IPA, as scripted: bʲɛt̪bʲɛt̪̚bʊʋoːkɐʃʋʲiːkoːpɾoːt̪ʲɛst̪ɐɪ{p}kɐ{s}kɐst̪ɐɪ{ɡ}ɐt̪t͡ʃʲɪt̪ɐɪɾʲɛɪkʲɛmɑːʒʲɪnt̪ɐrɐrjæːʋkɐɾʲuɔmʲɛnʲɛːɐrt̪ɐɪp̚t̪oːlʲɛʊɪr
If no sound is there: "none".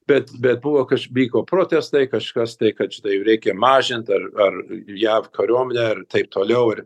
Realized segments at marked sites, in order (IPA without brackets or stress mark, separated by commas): none, ʃ, k